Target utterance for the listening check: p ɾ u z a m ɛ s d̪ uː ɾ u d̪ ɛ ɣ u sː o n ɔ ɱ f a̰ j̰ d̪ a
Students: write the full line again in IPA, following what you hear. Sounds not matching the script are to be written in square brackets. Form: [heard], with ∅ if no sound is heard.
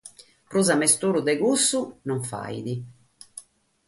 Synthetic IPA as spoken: p ɾ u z a m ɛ s [t̪] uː ɾ u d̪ ɛ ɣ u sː [u] n ɔ ɱ f a̰ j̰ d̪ [i]